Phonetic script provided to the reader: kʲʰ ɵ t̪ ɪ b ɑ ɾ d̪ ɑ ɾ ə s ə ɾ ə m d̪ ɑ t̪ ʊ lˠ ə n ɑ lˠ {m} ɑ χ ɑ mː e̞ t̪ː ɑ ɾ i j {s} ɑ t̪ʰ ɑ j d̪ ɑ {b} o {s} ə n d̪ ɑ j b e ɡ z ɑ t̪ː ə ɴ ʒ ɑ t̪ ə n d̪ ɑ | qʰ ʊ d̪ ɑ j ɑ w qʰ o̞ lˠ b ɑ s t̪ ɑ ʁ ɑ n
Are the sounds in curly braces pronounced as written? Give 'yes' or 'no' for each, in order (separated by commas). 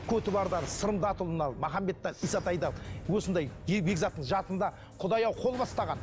yes, yes, no, yes